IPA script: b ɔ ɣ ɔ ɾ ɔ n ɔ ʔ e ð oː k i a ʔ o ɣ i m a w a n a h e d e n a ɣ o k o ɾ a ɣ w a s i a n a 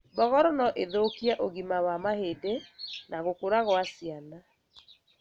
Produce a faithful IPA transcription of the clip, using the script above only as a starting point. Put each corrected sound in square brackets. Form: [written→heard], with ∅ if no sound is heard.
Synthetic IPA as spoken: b ɔ ɣ ɔ ɾ ɔ n ɔ ʔ e ð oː k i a ʔ o ɣ i m a w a [n→m] a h e d e n a ɣ o k o ɾ a ɣ w a s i a n a